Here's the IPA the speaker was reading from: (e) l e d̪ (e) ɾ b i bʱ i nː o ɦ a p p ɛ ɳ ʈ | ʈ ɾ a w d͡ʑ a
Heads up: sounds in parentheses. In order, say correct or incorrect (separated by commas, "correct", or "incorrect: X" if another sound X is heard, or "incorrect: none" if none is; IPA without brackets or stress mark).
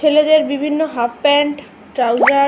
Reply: correct, correct